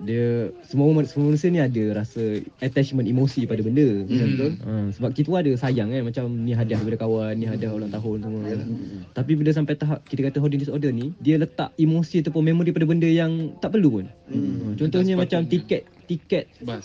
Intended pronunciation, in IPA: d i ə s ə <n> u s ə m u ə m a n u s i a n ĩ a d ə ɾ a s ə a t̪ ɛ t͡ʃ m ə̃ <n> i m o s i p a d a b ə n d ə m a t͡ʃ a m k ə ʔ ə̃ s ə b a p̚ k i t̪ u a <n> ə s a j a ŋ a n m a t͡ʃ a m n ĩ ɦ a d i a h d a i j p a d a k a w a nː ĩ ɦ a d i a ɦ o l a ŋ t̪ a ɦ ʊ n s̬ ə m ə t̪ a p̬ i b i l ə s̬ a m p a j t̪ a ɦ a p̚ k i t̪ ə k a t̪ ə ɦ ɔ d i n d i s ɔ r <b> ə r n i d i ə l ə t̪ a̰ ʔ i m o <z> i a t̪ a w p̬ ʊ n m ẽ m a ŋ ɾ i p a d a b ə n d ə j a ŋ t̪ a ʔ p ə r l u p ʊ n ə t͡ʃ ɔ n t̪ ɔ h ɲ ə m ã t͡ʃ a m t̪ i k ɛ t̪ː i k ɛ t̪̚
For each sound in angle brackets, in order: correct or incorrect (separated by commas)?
incorrect, correct, incorrect, incorrect, incorrect